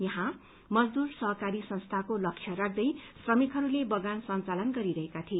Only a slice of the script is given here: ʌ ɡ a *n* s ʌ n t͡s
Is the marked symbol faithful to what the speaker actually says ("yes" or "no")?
yes